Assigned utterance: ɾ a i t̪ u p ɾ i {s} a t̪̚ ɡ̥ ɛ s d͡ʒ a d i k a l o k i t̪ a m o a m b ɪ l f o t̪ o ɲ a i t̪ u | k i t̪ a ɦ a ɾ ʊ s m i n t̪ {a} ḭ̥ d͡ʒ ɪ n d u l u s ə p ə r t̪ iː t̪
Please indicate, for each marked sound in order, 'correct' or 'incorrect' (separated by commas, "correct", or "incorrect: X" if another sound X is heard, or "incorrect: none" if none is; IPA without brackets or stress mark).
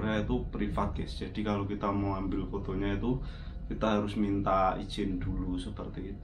incorrect: f, correct